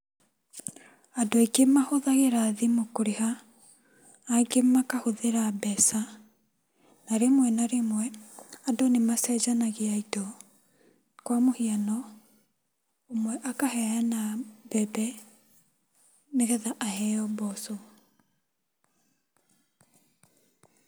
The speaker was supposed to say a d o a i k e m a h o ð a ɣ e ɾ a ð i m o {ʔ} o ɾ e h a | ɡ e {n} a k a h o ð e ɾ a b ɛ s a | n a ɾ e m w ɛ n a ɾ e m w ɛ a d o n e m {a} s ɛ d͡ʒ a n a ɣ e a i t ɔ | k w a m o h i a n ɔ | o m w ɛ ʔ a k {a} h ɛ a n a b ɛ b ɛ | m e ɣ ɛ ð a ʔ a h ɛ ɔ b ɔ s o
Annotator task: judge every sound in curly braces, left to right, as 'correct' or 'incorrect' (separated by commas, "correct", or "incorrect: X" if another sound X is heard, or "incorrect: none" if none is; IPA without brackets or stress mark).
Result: incorrect: k, incorrect: m, correct, correct